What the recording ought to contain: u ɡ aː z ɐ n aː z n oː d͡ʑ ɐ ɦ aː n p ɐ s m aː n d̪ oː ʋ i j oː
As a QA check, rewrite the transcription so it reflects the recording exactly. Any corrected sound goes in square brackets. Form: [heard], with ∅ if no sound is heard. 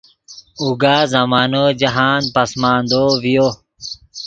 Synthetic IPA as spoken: u ɡ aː z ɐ [m] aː [∅] n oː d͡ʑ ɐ ɦ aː n p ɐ s m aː n d̪ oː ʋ i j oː